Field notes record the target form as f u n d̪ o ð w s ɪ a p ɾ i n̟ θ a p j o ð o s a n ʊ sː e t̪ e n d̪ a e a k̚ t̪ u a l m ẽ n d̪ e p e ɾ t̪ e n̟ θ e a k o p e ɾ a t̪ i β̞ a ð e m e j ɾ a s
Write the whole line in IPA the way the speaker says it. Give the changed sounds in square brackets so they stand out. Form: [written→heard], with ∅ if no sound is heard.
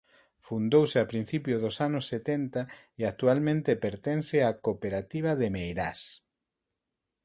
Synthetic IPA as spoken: f u n d̪ o [ð→∅] w s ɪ a p ɾ i n̟ θ [a→i] p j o ð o s a n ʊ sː e t̪ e n [d̪→t̪] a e a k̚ t̪ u a l m ẽ n [d̪→t̪] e p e ɾ t̪ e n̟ θ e a k o p e ɾ a t̪ i β̞ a ð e m e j ɾ a s